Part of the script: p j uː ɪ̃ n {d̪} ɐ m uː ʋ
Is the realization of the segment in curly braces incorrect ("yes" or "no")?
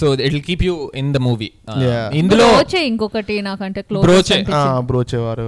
no